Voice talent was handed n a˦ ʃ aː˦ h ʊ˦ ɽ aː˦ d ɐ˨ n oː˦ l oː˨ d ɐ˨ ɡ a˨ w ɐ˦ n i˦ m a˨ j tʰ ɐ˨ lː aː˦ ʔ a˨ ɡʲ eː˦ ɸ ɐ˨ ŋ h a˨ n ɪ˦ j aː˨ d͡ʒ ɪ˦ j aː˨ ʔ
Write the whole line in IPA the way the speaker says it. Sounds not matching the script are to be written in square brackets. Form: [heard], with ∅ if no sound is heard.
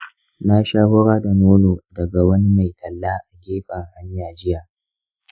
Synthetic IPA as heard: n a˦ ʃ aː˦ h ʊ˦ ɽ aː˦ d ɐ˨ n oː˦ l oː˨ d ɐ˨ ɡ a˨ w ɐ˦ n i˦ m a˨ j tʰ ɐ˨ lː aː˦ ʔ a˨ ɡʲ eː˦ ɸ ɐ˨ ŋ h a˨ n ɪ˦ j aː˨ d͡ʒ ɪ˦ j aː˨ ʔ